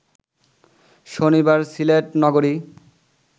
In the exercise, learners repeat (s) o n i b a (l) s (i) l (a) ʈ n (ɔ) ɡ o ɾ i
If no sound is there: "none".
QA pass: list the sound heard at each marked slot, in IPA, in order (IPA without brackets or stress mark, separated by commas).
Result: ʃ, ɾ, i, e, ɔ